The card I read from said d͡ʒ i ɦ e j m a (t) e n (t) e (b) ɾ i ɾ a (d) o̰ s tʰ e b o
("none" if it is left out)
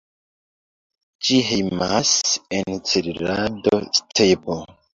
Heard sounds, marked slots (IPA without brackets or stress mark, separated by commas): s, t͡s, none, d